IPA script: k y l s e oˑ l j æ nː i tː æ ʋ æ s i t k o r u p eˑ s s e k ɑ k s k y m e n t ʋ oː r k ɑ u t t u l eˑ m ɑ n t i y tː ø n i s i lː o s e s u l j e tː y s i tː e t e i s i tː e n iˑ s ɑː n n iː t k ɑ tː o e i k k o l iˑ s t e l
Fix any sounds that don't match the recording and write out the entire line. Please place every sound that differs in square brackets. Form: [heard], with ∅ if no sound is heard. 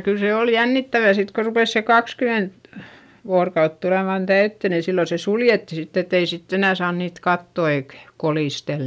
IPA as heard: k y l s e oˑ l j æ nː i tː æ ʋ æ s i t k o r u p eˑ s s e k ɑ k s k y m e n t ʋ oː r k ɑ u t t u l eˑ m ɑ n t [æ] y tː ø n i s i lː o s e s u l j e tː [i] s i tː e t e i s i tː e n [æˑ] s ɑː n n iː t k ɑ tː o e i k k o l iˑ s t e l